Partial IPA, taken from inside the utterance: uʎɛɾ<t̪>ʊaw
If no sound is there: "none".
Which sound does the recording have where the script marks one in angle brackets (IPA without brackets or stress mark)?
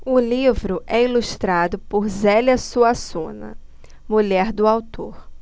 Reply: d̪